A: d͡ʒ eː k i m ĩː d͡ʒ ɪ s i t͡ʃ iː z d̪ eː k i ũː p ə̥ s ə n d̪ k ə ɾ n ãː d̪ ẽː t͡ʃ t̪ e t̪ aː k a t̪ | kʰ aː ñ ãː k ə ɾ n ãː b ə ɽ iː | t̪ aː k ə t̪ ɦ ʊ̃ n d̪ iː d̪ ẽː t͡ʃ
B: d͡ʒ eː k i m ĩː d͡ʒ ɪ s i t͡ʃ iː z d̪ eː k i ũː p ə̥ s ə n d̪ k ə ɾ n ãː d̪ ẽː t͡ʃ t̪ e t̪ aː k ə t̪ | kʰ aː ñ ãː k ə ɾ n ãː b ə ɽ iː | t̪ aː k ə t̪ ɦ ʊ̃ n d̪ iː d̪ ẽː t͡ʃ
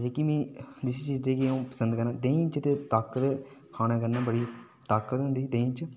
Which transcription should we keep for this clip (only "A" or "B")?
B